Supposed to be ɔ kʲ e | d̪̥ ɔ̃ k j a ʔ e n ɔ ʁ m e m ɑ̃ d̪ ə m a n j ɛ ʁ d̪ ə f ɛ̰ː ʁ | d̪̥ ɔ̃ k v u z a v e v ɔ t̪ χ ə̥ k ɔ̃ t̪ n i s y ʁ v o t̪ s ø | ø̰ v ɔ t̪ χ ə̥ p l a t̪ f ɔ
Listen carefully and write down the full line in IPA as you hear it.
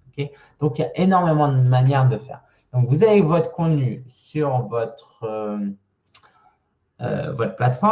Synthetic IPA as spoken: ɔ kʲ e | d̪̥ ɔ̃ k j a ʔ e n ɔ ʁ m e m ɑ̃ d̪ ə m a n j ɛ ʁ d̪ ə f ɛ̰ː ʁ | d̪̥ ɔ̃ k v u z a v e v ɔ t̪ χ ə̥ k ɔ̃ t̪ n y s y ʁ v ɔ t̪ χ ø | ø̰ v ɔ t̪ χ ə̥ p l a t̪ f ɔ